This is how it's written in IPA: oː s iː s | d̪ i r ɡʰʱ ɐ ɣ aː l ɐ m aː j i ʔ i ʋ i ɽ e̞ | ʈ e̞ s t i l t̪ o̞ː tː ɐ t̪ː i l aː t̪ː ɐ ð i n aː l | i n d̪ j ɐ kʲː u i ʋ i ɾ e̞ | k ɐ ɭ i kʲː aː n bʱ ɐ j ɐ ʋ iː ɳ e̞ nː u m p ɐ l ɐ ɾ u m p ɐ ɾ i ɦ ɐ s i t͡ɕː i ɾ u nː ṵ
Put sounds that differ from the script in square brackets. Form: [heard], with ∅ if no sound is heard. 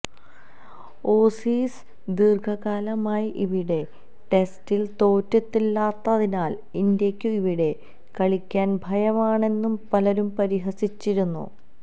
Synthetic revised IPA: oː s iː s | d̪ i r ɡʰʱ ɐ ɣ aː l ɐ m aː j i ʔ i ʋ i ɽ e̞ | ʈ e̞ s t i l t̪ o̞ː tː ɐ t̪ː i [lː] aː t̪ː ɐ ð i n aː l | i n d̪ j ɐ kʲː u i ʋ i [ɽ] e̞ | k ɐ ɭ i kʲː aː n bʱ ɐ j ɐ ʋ [aː] ɳ e̞ nː u m p ɐ l ɐ ɾ u m p ɐ ɾ i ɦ ɐ s i t͡ɕː i ɾ u nː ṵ